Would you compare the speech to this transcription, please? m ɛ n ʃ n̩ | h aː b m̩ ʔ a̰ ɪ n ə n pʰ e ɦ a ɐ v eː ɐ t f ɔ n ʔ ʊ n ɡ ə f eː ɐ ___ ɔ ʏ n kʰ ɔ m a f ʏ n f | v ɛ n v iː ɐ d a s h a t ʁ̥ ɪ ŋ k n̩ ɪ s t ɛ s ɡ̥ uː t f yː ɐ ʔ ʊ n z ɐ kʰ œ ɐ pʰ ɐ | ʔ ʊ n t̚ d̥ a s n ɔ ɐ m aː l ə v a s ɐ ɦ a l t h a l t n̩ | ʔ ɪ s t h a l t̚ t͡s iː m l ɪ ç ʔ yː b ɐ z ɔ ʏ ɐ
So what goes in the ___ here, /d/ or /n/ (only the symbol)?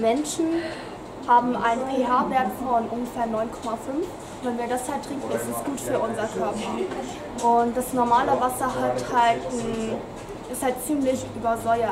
n